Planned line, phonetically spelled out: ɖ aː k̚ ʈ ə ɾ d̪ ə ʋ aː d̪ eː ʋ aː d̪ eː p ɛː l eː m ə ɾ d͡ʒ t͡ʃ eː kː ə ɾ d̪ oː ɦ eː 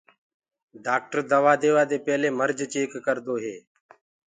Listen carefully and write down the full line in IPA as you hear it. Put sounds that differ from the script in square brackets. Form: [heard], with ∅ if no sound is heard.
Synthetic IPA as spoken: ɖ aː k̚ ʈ ə ɾ d̪ ə ʋ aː d̪ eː ʋ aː d̪ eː p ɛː l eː m ə ɾ d͡ʒ t͡ʃ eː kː ə ɾ d̪ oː ɦ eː

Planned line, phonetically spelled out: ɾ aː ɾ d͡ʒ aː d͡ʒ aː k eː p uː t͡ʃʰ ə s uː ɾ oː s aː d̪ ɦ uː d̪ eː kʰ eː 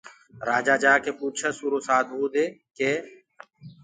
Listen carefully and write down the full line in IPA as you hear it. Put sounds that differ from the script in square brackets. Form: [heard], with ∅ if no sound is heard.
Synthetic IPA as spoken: ɾ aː [∅] d͡ʒ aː d͡ʒ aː k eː p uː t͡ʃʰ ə s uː ɾ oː s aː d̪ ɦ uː d̪ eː [k] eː

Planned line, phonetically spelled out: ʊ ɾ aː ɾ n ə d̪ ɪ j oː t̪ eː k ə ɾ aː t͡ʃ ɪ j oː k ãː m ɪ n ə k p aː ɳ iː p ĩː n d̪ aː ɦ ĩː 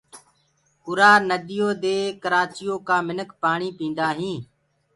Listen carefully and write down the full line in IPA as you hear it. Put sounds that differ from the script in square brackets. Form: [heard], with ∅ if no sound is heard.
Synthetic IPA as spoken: ʊ ɾ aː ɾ n ə d̪ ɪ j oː [d̪] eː k ə ɾ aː t͡ʃ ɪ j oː k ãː m ɪ n ə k p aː ɳ iː p ĩː n d̪ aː ɦ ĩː

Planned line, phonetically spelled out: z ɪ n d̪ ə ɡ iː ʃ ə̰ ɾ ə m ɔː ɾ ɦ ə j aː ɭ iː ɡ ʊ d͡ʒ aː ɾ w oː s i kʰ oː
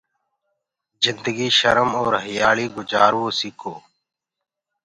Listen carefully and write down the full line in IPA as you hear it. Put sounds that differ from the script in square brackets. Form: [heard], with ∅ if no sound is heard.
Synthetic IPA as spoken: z ɪ n d̪ ə ɡ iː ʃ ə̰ ɾ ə m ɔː ɾ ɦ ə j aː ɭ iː ɡ ʊ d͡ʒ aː ɾ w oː s i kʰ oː

